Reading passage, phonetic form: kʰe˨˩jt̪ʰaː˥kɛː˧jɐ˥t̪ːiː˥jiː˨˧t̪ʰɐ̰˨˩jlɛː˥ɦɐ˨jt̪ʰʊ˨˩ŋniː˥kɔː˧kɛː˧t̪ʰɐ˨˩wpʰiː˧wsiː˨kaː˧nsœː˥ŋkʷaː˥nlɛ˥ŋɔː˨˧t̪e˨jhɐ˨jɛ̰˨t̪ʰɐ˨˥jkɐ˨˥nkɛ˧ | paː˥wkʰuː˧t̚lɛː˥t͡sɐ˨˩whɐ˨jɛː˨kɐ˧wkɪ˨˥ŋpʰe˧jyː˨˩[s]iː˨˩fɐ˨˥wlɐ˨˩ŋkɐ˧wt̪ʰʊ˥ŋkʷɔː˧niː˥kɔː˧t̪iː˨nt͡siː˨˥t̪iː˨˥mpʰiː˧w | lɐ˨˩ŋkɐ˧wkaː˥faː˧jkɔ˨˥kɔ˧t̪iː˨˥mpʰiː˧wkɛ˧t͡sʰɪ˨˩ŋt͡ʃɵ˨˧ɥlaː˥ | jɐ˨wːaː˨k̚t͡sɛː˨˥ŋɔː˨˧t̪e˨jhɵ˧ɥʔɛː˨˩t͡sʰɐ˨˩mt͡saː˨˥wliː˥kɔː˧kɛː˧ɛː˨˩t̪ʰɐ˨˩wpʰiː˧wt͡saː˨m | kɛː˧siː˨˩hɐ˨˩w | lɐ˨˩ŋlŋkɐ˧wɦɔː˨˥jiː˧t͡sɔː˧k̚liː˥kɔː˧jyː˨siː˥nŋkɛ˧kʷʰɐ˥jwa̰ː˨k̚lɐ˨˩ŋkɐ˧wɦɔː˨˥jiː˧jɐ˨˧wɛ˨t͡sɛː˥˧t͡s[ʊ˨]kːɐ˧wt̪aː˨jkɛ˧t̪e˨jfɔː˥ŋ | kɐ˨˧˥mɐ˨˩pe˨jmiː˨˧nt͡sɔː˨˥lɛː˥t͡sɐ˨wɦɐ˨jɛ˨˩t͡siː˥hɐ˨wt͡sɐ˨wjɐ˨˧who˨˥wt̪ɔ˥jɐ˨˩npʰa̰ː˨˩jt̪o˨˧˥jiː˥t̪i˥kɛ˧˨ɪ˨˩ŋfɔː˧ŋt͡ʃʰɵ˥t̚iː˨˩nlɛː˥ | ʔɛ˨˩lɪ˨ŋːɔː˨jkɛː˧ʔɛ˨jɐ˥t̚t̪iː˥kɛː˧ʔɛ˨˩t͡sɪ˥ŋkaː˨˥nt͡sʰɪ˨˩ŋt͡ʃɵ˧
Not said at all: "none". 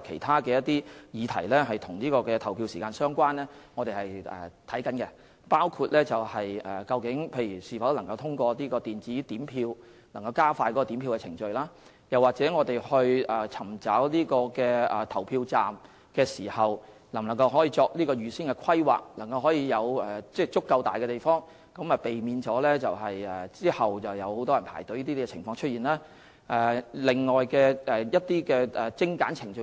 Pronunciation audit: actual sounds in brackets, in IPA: s, ʊ˥

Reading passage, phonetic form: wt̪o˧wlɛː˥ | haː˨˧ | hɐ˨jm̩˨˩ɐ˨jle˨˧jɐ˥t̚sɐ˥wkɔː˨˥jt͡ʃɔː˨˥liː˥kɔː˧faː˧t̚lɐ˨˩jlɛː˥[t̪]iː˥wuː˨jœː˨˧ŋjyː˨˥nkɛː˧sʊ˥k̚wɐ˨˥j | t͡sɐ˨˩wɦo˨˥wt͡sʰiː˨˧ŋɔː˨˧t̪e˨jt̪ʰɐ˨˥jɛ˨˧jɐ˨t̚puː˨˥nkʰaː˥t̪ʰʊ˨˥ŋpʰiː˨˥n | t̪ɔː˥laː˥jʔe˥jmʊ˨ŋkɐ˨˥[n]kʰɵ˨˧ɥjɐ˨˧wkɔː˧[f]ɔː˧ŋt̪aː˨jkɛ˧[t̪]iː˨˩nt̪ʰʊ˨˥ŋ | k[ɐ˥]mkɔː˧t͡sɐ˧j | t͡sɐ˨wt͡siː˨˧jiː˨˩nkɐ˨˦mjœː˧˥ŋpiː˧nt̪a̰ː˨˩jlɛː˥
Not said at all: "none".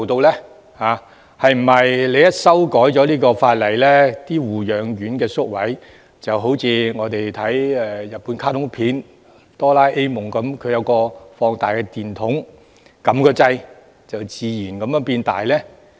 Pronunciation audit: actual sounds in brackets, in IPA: t̪, m, f, t̪, ɐ˨˥

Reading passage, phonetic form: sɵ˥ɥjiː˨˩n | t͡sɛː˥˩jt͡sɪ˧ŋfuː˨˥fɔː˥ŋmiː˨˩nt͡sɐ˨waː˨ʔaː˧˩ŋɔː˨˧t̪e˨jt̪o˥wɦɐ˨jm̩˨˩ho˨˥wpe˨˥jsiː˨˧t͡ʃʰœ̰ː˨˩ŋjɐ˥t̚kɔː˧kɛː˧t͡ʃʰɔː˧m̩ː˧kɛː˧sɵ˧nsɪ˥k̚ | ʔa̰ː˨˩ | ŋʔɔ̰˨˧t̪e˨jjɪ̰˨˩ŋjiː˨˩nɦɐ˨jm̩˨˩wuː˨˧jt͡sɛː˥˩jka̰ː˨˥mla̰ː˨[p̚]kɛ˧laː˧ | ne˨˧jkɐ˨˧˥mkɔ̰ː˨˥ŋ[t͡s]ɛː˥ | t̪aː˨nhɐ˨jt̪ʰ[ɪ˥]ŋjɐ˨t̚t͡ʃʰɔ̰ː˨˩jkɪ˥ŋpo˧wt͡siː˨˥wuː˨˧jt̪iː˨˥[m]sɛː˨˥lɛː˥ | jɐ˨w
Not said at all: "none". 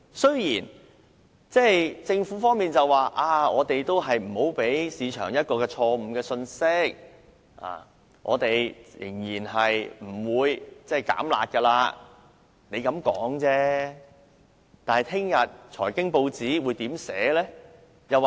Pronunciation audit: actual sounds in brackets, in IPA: t̚, t͡s, ɪ˥, m

